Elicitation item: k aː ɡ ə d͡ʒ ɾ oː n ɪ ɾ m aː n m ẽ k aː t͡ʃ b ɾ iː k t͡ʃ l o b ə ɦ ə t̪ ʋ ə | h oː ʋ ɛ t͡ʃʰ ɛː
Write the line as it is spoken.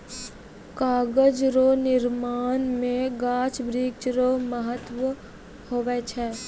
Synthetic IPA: k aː ɡ ə d͡ʒ ɾ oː n ɪ ɾ m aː n m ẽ ɡ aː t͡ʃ b ɾ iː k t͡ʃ ɾ o m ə ɦ ə t̪ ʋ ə | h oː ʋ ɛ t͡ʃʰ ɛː